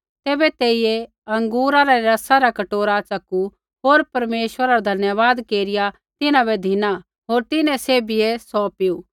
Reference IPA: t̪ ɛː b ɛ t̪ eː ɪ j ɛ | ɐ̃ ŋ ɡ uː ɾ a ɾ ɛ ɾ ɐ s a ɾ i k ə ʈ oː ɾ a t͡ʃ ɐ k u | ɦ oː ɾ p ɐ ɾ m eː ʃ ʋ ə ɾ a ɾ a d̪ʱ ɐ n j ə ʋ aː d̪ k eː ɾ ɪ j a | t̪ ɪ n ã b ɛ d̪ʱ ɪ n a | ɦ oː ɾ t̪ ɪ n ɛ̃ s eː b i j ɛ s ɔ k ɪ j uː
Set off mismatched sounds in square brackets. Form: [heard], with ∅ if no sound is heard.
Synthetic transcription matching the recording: t̪ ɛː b ɛ t̪ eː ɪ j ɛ | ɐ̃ ŋ ɡ uː ɾ a ɾ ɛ ɾ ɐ s a ɾ [a] k [ɐ] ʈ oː ɾ a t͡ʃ ɐ k u | ɦ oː ɾ p ɐ ɾ m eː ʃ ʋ ə ɾ a ɾ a d̪ʱ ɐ n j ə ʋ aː d̪ k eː ɾ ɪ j a | t̪ ɪ n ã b ɛ d̪ʱ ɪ n a | ɦ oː ɾ t̪ ɪ n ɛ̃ s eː b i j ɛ s ɔ [p] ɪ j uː